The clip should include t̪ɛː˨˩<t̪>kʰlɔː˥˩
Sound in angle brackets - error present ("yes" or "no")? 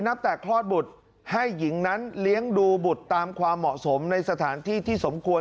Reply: yes